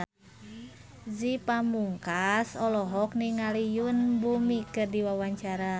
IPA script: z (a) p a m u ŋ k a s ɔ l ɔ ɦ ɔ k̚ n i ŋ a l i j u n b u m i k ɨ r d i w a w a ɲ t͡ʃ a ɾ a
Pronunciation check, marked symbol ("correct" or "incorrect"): incorrect